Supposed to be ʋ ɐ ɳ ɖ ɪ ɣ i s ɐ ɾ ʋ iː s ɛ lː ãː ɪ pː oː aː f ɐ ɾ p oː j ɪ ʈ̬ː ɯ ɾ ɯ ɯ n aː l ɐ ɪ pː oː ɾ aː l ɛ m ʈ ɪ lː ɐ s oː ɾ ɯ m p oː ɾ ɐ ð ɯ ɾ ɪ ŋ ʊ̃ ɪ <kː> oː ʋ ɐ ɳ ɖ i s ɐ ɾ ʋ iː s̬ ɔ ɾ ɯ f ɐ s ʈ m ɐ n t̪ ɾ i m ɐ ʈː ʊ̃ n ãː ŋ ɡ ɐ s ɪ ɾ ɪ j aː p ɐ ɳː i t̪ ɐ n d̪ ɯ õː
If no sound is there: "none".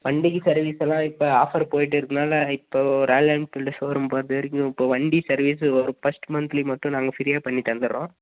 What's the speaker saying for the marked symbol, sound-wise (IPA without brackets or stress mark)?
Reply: pː